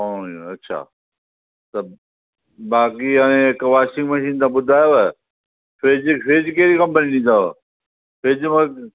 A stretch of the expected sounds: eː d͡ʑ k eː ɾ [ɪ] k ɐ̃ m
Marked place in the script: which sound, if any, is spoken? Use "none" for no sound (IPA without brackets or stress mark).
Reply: i